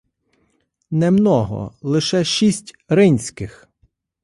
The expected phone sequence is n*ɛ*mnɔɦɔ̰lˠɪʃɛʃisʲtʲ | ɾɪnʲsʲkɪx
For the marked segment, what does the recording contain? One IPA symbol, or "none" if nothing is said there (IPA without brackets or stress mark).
ɛ